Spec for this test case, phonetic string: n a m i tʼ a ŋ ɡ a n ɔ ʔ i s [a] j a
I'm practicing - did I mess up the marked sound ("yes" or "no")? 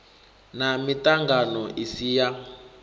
yes